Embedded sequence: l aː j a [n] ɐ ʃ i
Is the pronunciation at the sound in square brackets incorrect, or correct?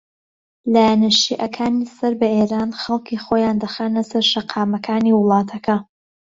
correct